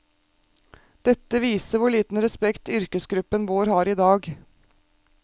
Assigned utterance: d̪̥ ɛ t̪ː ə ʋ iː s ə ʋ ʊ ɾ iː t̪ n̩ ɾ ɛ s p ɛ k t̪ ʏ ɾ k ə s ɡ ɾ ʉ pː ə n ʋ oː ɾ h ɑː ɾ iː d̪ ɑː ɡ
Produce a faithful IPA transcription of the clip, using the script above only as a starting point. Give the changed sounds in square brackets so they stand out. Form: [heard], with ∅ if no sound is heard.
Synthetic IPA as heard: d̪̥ ɛ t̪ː ə ʋ iː s ə ʋ ʊ [ɭ] iː t̪ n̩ ɾ ɛ s p ɛ k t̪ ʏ ɾ k ə s ɡ ɾ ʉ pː ə n ʋ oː ɾ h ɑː ɾ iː d̪ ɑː ɡ